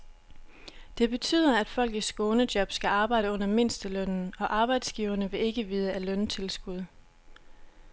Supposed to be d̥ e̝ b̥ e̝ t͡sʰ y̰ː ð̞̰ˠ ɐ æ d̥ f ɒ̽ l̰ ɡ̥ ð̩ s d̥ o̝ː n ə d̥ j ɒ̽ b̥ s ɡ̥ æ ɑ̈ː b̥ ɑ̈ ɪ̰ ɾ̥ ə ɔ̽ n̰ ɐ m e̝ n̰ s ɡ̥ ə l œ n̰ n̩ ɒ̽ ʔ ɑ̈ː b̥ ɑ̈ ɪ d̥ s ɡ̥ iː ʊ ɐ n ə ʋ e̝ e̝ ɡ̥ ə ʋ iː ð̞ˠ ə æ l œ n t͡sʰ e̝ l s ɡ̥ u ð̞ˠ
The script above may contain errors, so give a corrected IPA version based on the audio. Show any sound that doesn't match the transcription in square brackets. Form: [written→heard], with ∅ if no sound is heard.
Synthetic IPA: d̥ e̝ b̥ e̝ t͡sʰ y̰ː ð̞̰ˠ ɐ æ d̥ f ɒ̽ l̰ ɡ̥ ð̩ s [d̥→ɡ̥] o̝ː n ə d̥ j ɒ̽ b̥ s ɡ̥ æ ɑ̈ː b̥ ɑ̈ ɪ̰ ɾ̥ ə ɔ̽ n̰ ɐ m e̝ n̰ s [ɡ̥→d̥] ə l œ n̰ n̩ ɒ̽ ʔ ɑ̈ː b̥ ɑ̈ ɪ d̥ s ɡ̥ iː ʊ ɐ n ə ʋ e̝ e̝ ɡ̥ ə ʋ iː ð̞ˠ ə æ l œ n t͡sʰ e̝ l s ɡ̥ u ð̞ˠ